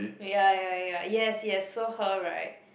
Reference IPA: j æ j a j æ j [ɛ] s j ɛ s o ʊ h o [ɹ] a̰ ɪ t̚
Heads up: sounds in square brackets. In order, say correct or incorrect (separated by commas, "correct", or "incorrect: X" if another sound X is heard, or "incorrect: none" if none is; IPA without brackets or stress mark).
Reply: correct, correct